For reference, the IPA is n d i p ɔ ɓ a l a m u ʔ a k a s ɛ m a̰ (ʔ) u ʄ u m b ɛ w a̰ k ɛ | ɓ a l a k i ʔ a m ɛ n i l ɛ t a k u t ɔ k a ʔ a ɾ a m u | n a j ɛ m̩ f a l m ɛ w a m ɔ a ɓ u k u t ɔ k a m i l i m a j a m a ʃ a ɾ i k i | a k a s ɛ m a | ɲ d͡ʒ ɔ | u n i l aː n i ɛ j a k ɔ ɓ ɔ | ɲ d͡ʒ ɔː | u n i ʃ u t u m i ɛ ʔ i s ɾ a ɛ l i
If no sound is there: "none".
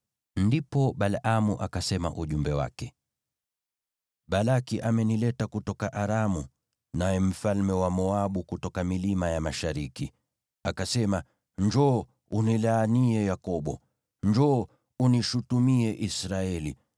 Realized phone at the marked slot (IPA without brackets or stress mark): ʔ